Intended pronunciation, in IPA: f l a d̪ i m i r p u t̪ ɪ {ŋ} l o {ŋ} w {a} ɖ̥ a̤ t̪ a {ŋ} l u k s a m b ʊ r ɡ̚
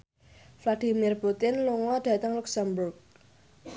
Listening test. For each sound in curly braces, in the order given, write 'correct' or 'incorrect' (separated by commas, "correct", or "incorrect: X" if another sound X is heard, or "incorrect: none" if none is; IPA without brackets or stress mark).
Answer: incorrect: n, correct, correct, correct